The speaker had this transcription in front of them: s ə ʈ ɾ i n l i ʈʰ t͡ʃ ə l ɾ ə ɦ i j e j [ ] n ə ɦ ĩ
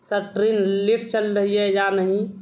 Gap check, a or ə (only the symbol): a